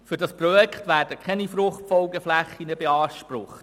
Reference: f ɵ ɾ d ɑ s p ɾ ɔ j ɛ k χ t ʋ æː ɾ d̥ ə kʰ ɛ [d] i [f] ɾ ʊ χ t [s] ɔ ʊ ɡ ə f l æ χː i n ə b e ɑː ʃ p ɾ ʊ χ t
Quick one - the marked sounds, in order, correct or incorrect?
incorrect: n, correct, incorrect: f

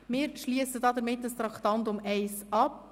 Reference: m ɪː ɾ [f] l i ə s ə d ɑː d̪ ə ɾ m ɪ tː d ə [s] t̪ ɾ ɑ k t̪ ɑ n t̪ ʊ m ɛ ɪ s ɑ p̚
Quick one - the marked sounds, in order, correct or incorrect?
incorrect: ʃ, correct

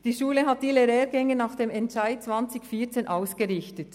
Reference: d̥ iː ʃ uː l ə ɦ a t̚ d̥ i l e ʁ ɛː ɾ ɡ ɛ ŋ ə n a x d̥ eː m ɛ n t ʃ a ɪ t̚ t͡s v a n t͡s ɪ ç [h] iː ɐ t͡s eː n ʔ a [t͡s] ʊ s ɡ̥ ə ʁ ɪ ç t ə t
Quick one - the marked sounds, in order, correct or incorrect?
incorrect: f, incorrect: none

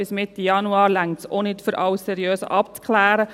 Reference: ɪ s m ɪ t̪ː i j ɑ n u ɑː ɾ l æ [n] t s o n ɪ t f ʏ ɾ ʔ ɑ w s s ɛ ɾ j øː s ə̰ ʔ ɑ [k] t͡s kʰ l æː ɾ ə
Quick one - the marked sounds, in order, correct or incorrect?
incorrect: ŋ, incorrect: p

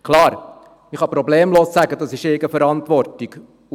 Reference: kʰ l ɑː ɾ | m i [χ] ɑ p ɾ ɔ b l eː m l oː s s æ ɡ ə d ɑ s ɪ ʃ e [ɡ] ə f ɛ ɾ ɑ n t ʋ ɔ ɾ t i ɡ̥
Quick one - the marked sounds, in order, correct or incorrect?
correct, correct

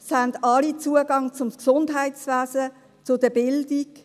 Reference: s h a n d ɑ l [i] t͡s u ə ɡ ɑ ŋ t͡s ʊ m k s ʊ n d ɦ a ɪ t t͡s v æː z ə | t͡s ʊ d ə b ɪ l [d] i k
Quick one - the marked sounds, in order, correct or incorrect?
correct, correct

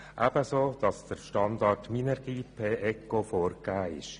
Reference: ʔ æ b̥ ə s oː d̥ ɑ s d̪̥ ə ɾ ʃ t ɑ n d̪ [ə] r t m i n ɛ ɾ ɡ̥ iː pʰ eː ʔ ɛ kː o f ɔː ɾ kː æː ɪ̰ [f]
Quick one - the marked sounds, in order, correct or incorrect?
incorrect: ɑ, incorrect: ʃ

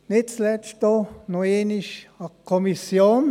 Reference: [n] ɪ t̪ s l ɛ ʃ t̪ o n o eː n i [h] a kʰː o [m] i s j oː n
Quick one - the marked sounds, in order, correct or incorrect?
correct, incorrect: ʃ, correct

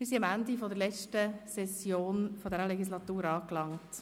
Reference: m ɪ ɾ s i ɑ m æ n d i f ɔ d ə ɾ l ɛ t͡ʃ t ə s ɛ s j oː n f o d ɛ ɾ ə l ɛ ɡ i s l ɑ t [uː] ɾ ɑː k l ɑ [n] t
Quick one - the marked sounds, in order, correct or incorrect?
correct, incorrect: ŋ

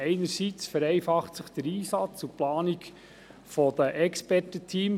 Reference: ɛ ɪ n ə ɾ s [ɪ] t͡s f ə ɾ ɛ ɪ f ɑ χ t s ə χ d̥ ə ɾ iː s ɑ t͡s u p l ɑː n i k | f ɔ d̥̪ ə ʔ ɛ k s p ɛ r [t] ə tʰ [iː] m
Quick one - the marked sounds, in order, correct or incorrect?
incorrect: i, correct, correct

